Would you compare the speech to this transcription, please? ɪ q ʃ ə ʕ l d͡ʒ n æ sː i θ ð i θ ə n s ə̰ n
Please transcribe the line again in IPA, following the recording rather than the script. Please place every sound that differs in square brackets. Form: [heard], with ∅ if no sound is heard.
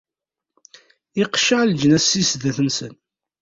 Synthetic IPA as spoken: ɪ q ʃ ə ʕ l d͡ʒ n æ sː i [s] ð [æ] θ ə n s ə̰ n